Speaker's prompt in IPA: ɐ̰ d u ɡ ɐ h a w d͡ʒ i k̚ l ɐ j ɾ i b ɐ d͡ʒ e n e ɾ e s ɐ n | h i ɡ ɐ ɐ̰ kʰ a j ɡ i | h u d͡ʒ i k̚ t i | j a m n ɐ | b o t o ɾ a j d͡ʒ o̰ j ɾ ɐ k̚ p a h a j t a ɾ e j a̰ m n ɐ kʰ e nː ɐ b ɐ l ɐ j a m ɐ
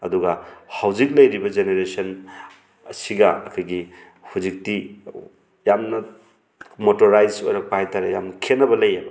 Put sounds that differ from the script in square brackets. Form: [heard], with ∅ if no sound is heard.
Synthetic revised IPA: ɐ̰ d u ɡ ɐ h a w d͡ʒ i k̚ l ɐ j ɾ i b ɐ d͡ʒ e n e ɾ e s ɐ n | [s] i ɡ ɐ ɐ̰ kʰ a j ɡ i | h u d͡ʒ i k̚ t i | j a m n ɐ | [m] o t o ɾ a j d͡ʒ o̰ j ɾ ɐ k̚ p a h a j t a ɾ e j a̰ m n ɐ kʰ e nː ɐ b ɐ l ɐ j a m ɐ